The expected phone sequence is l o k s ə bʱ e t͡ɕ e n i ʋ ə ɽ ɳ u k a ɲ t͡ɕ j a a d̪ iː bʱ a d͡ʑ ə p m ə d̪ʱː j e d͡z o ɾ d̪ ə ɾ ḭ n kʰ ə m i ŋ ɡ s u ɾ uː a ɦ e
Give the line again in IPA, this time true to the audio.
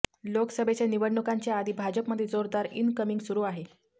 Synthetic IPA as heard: l o k s ə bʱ e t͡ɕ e n i ʋ ə ɽ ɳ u k a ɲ t͡ɕ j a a d̪ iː bʱ a d͡ʑ ə p m ə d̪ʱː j e d͡z o ɾ d̪ a ɾ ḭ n k ə m i ŋ ɡ s u ɾ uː a ɦ e